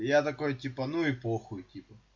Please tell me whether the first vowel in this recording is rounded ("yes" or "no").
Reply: no